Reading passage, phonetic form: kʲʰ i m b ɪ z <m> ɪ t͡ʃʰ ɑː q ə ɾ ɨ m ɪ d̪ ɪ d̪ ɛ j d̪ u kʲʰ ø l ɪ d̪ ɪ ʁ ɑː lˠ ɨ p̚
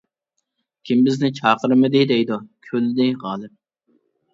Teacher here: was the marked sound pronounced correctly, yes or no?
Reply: no